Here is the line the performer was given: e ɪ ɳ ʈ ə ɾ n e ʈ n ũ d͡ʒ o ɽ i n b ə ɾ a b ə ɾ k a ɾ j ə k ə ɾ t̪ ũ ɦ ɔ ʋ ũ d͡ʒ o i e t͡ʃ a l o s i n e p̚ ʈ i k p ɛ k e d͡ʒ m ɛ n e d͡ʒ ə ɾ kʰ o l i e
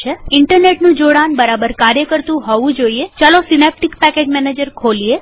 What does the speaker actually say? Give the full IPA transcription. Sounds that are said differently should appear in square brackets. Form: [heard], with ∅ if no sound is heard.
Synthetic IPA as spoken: e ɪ ɳ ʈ ə ɾ n e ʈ n ũ d͡ʒ o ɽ [a] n b ə ɾ a b ə ɾ k a ɾ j ə k ə ɾ t̪ ũ ɦ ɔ ʋ ũ d͡ʒ o i e t͡ʃ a l o s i n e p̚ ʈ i k p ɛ k e d͡ʒ m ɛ n e d͡ʒ ə ɾ kʰ o l i e